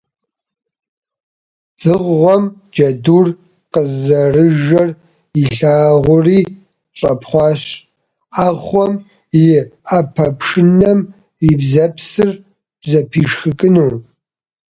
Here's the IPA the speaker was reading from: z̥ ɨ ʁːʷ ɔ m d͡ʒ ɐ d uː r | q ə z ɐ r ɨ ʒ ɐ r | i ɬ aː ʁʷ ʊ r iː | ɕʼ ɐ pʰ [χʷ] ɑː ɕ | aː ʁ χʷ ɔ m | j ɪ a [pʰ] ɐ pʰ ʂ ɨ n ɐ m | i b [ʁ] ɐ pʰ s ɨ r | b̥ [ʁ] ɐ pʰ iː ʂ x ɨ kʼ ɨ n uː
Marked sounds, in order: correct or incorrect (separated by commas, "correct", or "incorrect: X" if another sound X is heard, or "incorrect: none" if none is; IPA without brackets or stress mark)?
correct, correct, incorrect: z, incorrect: z